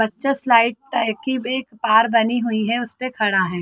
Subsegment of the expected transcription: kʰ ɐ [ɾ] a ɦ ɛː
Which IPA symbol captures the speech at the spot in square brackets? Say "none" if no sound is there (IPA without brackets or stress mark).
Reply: ɽ